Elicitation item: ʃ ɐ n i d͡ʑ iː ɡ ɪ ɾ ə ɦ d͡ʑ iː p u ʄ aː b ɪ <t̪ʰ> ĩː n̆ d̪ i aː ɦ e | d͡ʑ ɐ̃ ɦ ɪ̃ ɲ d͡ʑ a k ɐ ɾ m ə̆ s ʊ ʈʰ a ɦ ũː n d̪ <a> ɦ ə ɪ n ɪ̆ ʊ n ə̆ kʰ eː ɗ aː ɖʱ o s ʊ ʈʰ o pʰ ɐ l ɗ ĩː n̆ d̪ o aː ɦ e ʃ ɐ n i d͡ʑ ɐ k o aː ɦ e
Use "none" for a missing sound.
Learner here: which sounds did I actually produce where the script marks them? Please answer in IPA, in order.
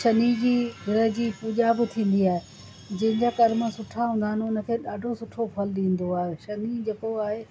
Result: t̪ʰ, a

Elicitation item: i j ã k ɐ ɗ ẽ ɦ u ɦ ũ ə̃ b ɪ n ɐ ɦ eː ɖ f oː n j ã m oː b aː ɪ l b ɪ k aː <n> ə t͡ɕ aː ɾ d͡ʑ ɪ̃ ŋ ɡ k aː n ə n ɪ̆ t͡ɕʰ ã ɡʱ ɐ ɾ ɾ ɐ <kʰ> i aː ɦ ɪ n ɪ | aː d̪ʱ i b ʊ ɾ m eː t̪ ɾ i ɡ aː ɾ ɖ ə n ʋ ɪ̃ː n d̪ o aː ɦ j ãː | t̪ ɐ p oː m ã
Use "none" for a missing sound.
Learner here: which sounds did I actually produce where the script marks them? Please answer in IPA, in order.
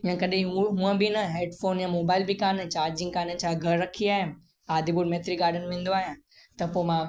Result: n, kʰ

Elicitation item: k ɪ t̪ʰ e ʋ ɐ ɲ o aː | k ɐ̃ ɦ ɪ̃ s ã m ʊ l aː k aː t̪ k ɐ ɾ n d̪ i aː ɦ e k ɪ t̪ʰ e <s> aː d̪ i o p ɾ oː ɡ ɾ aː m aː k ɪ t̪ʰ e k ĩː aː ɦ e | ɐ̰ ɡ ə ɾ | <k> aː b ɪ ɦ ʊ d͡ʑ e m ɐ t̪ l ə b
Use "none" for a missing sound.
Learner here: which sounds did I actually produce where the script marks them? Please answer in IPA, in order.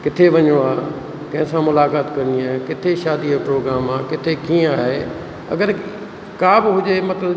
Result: ʃ, k

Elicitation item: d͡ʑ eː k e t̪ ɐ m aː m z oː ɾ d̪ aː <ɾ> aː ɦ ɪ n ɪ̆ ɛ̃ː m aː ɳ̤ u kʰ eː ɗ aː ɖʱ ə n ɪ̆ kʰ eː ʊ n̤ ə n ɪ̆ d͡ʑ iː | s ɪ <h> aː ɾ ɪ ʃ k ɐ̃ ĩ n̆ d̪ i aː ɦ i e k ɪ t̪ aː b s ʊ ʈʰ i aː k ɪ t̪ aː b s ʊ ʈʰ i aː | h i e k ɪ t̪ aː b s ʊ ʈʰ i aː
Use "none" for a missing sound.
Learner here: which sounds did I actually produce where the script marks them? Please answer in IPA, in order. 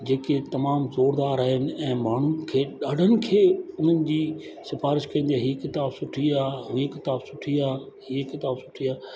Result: ɾ, f

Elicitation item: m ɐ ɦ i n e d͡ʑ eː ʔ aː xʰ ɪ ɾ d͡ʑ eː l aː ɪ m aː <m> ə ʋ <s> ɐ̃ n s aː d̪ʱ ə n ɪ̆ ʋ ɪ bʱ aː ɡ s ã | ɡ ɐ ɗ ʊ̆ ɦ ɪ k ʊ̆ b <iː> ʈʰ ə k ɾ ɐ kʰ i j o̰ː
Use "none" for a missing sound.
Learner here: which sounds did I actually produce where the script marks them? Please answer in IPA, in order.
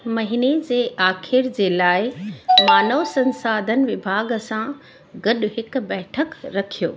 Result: n, s, ɛː

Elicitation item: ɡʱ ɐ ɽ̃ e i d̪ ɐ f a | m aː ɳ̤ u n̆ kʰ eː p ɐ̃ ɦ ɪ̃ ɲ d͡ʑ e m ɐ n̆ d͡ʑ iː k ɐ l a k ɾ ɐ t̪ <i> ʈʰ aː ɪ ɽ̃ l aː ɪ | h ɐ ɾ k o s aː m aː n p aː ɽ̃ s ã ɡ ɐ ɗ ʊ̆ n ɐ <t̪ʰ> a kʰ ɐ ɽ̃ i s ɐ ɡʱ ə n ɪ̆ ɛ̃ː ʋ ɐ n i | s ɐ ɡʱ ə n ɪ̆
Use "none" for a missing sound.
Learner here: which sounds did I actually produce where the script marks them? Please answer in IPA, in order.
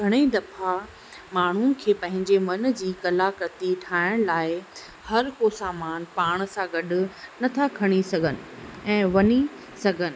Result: i, t̪ʰ

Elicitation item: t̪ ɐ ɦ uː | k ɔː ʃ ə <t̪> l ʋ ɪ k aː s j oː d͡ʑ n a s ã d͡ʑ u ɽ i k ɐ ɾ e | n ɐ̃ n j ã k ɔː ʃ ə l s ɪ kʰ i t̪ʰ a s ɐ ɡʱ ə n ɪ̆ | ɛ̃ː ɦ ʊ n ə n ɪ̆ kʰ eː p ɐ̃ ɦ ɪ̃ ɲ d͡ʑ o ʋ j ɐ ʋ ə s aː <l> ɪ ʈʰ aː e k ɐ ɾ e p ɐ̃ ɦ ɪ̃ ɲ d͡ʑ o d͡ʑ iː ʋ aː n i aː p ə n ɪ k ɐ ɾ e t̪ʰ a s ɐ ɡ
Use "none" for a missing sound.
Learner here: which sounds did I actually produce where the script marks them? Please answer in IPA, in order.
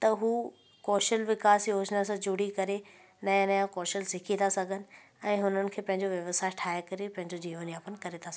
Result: none, none

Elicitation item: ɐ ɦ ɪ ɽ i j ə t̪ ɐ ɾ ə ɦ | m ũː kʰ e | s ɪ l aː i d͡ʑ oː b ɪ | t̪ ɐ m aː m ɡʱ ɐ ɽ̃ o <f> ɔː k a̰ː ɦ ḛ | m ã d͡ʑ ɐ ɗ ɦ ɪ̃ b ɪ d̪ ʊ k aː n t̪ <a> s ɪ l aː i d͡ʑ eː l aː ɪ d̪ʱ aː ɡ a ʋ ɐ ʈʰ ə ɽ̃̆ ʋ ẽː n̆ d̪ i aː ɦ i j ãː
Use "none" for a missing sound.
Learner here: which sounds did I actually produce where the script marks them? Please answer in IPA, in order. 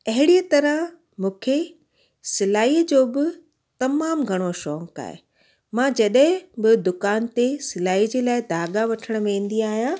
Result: ʃ, e

